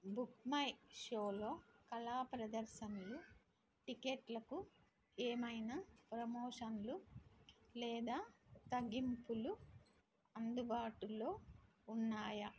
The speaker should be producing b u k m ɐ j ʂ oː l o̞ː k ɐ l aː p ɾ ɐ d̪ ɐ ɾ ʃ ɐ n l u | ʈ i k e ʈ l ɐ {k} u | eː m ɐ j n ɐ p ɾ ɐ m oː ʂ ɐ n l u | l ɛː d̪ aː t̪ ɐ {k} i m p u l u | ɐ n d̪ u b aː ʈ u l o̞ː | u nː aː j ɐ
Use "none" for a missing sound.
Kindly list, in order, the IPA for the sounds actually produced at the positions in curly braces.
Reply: k, ɡ

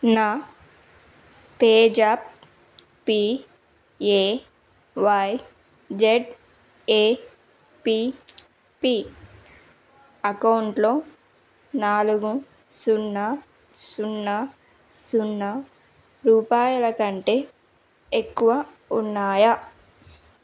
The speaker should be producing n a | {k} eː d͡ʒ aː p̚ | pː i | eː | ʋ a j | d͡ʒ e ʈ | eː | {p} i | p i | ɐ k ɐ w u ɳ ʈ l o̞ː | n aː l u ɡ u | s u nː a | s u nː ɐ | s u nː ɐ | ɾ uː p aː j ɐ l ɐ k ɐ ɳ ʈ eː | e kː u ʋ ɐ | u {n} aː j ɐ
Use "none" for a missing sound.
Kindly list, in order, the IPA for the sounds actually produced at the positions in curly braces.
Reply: p, p, nː

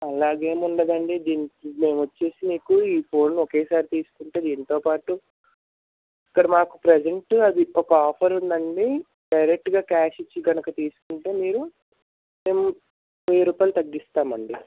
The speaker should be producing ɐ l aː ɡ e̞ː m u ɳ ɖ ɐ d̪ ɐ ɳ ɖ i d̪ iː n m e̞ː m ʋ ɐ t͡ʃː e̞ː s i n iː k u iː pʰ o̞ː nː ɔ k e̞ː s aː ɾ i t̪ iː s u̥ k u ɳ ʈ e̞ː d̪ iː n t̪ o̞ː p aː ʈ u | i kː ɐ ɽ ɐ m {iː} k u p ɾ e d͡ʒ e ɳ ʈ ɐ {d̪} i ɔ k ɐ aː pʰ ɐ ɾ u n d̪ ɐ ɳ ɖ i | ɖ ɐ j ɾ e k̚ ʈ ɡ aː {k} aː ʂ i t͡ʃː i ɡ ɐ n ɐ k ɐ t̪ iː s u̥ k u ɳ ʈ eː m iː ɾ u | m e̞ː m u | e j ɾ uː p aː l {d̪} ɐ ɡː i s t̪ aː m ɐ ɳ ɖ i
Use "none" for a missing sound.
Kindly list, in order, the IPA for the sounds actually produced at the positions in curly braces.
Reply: aː, d̪, k, t̪

